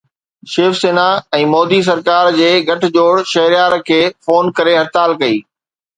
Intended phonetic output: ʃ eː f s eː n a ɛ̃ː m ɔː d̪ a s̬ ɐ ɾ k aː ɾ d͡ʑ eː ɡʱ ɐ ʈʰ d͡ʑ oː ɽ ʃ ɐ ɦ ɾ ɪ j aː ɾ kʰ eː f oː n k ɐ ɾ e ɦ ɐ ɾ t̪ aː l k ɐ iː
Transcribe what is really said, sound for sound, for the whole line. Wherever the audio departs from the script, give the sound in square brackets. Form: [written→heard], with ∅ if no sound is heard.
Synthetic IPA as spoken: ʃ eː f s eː n a ɛ̃ː m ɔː d̪ [a→i] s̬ ɐ ɾ k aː ɾ d͡ʑ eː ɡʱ ɐ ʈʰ d͡ʑ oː ɽ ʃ ɐ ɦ ɾ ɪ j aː ɾ kʰ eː f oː n k ɐ ɾ e ɦ ɐ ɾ t̪ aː l k ɐ iː

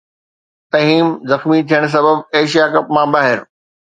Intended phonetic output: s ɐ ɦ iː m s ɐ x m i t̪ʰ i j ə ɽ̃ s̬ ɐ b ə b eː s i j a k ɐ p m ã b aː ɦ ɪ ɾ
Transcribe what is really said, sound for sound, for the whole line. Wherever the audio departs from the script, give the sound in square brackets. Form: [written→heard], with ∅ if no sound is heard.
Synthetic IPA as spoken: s ɐ ɦ iː m [s→z] ɐ x m i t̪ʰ i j ə ɽ̃ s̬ ɐ b ə b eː [s→ʃ] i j a k ɐ p m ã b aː ɦ ɪ ɾ

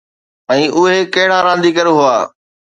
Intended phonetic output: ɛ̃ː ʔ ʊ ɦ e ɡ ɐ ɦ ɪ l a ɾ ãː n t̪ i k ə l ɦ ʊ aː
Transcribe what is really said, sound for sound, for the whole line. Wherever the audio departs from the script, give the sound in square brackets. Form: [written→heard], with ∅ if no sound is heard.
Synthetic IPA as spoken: ɛ̃ː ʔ ʊ ɦ e [ɡ→k] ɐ ɦ ɪ [l→ɽ] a ɾ ãː n [t̪→d̪] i k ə [l→ɾ] ɦ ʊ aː

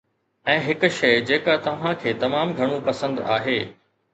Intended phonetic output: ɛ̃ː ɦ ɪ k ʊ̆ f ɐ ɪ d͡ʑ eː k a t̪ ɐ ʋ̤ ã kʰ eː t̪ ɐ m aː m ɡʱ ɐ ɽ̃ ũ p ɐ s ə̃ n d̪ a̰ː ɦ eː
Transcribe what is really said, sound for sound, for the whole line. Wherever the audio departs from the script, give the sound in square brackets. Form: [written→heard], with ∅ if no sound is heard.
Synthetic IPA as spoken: ɛ̃ː ɦ ɪ k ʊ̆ [f→ʃ] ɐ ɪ d͡ʑ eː k a t̪ ɐ ʋ̤ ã kʰ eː t̪ ɐ m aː m ɡʱ ɐ ɽ̃ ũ p ɐ s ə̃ n d̪ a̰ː ɦ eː

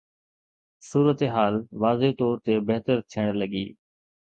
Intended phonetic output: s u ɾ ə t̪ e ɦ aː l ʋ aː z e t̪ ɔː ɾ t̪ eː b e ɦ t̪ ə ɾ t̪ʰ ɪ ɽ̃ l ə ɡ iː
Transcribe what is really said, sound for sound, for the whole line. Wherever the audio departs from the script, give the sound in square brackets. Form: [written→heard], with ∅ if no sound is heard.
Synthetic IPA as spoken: s [u→uː] ɾ ə t̪ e ɦ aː l ʋ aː z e t̪ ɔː ɾ t̪ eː b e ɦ t̪ ə ɾ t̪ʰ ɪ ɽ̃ l ə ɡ iː

